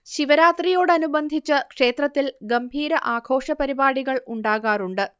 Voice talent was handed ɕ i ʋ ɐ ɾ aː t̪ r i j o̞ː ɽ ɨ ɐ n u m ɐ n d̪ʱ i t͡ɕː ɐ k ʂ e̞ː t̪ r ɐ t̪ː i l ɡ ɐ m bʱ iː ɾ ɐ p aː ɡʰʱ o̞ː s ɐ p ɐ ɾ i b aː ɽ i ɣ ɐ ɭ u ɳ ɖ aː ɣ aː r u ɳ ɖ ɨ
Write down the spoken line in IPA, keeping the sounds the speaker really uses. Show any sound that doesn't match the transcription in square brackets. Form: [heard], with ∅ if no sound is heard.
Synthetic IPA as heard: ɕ i ʋ ɐ ɾ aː t̪ r i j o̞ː ɽ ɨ ɐ n u [b] ɐ n d̪ʱ i t͡ɕː ɐ k ʂ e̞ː t̪ r ɐ t̪ː i l ɡ ɐ m bʱ iː ɾ ɐ [ʔ] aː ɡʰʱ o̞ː [ʂ] ɐ p ɐ ɾ i b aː ɽ i ɣ ɐ ɭ u ɳ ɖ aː ɣ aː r u ɳ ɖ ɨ